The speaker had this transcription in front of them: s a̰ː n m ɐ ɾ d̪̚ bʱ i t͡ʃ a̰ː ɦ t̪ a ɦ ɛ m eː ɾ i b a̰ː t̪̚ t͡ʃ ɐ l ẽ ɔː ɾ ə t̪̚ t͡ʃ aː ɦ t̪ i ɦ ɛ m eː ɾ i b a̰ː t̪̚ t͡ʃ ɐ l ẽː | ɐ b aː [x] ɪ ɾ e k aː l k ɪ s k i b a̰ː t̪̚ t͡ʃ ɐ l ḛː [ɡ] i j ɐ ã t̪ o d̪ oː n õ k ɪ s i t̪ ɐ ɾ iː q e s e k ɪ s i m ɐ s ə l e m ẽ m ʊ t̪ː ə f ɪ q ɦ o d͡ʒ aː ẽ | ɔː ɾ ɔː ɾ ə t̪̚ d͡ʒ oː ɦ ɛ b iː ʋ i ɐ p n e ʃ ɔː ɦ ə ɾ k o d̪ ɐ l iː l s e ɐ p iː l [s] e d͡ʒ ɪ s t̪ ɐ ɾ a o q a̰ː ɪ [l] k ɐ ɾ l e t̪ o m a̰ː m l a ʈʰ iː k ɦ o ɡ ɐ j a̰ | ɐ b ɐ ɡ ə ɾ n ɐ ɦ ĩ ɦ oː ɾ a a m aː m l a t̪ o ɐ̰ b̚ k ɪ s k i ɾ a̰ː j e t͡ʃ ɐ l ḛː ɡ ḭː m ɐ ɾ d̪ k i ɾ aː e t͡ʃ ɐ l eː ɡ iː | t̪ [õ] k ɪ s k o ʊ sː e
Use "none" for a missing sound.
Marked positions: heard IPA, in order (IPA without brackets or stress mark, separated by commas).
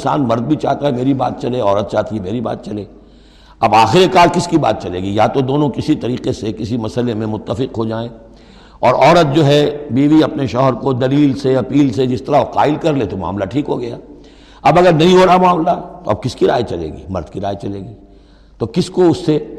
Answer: x, ɡ, s, l, o